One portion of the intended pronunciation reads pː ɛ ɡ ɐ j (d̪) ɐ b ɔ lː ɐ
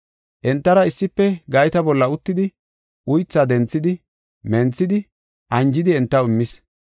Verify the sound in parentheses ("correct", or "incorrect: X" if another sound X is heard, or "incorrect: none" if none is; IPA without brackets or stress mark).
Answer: incorrect: t̪